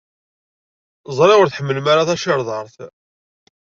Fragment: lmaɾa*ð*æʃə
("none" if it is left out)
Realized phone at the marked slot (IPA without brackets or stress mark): θ